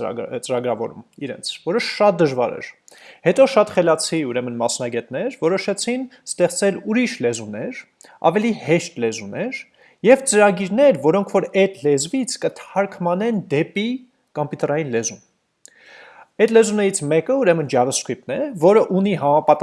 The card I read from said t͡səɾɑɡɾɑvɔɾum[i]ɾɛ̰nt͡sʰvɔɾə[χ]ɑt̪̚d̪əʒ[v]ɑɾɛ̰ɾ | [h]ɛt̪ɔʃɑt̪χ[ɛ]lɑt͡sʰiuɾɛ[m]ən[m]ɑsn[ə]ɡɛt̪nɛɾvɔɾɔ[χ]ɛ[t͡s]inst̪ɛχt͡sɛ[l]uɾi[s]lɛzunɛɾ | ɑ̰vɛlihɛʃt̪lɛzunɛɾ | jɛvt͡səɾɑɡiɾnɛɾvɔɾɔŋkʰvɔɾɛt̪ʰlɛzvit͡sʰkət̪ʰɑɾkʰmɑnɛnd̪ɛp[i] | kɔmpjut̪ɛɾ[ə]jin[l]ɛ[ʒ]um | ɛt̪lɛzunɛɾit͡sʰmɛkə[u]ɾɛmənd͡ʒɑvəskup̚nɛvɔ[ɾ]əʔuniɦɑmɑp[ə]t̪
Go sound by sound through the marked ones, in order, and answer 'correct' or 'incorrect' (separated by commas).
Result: correct, incorrect, correct, correct, correct, correct, correct, incorrect, incorrect, incorrect, correct, incorrect, correct, incorrect, correct, incorrect, correct, correct, incorrect